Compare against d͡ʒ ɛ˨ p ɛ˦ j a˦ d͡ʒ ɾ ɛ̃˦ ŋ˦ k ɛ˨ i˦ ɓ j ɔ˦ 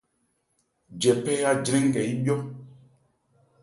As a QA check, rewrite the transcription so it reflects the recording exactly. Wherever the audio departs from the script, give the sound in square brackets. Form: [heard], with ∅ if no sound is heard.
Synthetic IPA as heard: d͡ʒ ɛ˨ p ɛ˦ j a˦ d͡ʒ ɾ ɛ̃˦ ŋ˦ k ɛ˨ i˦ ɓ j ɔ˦

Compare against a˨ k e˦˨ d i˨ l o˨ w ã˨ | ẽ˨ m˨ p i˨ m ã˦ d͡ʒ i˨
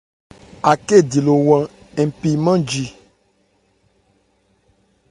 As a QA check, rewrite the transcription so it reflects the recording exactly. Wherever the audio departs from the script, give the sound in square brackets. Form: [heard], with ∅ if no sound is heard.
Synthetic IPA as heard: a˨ k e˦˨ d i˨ l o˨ w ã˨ | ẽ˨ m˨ p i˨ m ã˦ d͡ʒ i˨

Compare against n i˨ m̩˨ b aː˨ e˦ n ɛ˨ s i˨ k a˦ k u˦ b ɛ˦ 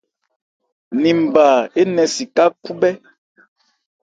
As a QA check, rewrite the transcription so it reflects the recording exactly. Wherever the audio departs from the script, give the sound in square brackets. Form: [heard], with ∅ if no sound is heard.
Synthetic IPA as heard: n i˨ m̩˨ b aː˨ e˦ n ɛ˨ s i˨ k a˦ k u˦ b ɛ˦

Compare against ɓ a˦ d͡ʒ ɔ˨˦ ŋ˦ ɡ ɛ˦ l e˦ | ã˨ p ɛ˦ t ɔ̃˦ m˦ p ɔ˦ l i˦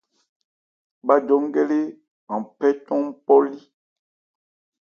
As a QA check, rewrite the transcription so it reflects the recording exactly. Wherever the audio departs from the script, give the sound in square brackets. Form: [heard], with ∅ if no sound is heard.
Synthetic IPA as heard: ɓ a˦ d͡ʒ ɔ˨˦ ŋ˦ ɡ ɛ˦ l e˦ | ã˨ p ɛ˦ t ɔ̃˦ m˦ p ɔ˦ l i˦

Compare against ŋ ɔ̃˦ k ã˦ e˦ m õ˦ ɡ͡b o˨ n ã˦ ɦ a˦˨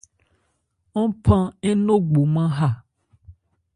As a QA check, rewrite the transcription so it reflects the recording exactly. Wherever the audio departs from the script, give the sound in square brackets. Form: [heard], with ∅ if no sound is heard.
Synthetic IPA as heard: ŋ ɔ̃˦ [p] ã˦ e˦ [n] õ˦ ɡ͡b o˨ [m] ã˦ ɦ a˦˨

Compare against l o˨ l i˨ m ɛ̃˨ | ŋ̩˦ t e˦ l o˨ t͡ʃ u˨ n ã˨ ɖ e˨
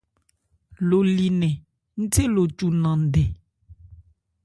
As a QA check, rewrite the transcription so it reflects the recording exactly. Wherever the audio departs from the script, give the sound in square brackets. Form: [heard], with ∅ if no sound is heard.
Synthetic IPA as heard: l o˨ l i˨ [n] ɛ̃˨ | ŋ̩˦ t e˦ l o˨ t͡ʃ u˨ n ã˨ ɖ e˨

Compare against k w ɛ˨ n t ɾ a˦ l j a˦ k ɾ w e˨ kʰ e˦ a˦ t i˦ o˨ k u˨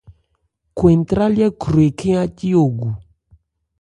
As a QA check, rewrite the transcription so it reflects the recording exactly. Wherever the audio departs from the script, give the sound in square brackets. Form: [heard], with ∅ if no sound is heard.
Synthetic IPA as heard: k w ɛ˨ n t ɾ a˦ l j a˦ k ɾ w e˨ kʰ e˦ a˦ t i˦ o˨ [ɡ] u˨

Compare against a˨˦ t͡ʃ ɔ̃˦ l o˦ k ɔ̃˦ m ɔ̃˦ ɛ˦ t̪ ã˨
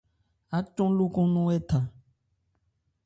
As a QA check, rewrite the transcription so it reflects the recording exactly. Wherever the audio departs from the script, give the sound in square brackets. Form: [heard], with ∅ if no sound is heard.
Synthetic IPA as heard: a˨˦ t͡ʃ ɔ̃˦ l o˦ k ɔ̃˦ [n] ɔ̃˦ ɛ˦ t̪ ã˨

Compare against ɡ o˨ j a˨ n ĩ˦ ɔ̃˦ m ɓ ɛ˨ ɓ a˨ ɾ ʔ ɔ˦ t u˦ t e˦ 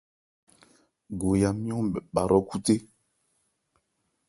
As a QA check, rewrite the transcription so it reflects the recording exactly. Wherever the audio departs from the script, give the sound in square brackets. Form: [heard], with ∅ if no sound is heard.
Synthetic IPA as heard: ɡ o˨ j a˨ [m] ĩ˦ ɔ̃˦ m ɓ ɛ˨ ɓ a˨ ɾ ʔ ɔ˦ [k] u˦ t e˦

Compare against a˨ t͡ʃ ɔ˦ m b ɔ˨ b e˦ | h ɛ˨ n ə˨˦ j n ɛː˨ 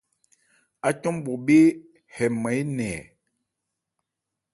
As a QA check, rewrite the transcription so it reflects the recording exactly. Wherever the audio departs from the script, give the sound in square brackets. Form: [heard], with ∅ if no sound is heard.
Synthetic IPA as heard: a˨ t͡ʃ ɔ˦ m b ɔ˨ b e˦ | h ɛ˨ [m] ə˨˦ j n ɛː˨

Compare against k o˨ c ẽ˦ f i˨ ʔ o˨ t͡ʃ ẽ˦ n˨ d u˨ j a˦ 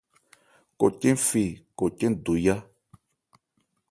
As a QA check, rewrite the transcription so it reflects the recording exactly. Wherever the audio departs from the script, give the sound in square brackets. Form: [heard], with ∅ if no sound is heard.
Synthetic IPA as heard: k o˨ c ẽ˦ f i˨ [k] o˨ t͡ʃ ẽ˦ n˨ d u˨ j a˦

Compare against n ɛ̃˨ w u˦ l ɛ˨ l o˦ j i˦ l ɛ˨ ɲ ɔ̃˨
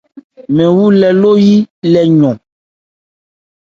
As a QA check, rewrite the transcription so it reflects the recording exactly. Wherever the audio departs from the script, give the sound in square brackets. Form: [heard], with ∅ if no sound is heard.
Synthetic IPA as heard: [m] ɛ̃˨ w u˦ l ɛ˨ l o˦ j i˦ l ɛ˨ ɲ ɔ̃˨

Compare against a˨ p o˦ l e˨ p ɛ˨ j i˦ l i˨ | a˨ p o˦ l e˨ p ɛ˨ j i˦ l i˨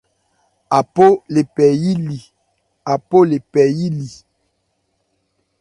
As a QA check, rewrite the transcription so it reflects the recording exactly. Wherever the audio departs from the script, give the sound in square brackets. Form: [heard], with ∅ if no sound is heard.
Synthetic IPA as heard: a˨ p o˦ l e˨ p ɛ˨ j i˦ l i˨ | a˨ p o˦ l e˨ p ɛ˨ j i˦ l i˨

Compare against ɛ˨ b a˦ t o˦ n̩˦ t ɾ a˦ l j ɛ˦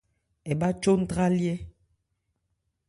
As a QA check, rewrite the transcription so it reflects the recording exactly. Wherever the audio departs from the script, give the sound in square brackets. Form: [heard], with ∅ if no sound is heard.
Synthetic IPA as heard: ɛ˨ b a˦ [t͡ʃ] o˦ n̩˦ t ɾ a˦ l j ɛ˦

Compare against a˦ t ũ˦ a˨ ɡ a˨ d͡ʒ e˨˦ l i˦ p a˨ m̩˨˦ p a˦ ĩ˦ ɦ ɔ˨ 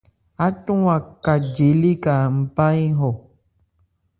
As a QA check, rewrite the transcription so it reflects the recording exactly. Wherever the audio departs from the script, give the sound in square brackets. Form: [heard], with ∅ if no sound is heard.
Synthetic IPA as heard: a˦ t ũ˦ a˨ [k] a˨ d͡ʒ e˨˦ l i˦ [k] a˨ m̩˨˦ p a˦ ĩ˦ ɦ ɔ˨

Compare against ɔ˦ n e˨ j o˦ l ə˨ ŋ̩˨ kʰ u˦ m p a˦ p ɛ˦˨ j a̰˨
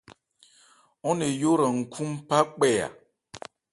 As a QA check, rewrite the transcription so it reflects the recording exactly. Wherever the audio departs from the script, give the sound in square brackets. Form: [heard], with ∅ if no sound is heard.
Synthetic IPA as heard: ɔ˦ n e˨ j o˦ [ɾ] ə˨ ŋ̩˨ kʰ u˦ m p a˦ [k͡p] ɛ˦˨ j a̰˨

